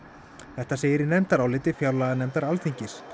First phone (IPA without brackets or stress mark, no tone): θ